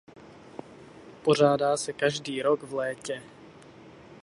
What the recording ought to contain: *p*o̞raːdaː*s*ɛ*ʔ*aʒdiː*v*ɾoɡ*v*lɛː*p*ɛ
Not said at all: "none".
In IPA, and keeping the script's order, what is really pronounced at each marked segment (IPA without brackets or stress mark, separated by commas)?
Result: p, s, k, none, v, c